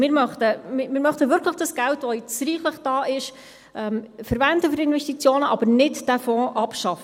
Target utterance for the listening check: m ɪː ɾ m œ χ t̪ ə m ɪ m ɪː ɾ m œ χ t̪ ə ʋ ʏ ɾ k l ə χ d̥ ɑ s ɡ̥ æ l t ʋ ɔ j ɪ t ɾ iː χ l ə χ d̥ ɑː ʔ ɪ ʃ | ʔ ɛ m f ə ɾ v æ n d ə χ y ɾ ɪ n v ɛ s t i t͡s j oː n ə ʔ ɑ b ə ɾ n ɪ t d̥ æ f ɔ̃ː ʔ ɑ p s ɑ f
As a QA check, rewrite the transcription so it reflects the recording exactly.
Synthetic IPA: m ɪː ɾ m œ χ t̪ ə m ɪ m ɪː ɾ m œ χ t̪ ə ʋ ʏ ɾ k l ə χ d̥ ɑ s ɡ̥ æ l t ʋ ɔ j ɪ t͡s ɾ iː χ l ə χ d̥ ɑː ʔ ɪ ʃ | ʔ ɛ m f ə ɾ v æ n d ə f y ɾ ɪ n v ɛ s t i t͡s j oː n ə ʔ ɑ b ə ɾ n ɪ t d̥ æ f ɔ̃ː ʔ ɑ p ʃ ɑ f